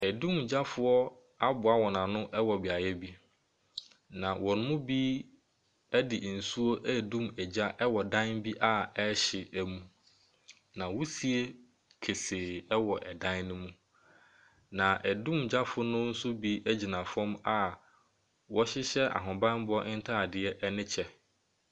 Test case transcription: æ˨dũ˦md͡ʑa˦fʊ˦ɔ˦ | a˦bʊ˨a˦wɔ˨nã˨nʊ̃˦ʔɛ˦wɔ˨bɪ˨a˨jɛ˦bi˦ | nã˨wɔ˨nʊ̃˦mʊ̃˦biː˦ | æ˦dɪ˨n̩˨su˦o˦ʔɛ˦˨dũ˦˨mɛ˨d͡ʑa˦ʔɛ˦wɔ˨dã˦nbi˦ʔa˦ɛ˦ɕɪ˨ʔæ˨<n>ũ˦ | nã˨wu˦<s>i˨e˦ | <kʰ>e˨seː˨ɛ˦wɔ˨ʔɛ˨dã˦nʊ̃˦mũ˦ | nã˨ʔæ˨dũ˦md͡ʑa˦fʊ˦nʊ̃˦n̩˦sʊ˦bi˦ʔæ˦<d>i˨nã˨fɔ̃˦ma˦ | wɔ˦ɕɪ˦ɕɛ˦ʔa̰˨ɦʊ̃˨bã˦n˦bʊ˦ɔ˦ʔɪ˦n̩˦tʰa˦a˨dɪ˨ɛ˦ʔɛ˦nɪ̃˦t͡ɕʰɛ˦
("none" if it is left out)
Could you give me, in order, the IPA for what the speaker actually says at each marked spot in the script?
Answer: m, s, kʰ, d͡ʑ

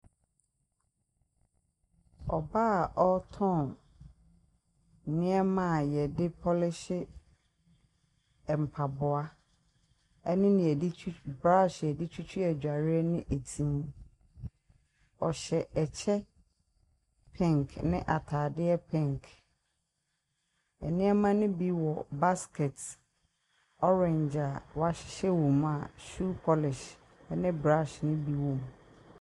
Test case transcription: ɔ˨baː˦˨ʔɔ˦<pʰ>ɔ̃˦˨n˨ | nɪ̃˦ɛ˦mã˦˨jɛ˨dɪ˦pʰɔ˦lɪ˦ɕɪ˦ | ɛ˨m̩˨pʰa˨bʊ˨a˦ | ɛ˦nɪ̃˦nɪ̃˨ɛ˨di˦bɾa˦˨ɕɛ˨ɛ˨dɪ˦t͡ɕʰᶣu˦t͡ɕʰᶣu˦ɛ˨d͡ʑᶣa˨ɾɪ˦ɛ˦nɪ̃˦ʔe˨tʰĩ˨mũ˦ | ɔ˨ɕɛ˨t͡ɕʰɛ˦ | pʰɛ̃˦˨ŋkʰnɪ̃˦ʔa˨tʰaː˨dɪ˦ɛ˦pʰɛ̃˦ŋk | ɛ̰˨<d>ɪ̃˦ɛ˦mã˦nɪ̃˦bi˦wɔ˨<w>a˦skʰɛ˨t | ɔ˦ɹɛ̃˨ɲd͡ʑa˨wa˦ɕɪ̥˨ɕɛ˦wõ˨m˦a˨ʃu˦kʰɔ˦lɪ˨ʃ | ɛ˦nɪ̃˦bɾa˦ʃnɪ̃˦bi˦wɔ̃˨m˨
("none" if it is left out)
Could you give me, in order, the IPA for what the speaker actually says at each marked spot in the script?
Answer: tʰ, n, b

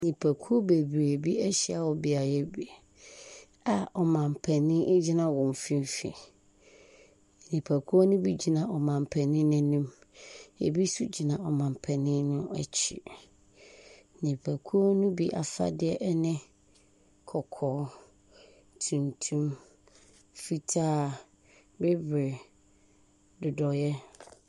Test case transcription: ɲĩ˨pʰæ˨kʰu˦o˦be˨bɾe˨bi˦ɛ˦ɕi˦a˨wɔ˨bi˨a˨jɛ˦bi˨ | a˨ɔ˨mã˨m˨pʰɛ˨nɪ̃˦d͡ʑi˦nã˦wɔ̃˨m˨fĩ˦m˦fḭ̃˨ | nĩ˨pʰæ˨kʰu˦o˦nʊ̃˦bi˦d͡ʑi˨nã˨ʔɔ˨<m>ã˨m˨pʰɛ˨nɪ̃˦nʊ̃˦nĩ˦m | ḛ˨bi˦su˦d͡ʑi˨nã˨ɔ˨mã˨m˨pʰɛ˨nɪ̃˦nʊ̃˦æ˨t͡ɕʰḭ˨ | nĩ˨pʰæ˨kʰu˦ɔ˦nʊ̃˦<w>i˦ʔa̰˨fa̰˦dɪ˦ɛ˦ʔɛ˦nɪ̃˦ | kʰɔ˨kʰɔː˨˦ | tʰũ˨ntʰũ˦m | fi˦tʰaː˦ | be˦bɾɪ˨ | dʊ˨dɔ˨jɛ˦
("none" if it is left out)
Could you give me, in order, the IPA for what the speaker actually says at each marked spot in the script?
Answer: m, b

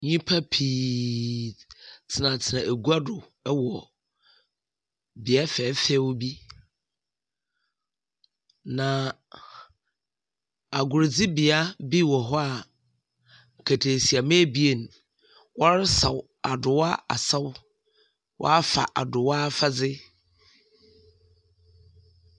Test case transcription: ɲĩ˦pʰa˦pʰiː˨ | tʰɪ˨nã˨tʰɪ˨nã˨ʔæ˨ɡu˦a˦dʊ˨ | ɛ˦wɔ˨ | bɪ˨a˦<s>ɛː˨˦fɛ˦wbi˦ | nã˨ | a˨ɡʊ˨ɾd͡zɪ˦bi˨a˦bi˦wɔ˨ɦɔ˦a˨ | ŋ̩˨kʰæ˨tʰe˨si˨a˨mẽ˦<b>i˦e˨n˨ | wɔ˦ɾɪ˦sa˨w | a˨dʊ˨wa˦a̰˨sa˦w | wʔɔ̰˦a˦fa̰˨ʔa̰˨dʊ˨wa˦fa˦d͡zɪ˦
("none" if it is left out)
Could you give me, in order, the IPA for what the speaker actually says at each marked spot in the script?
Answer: f, b

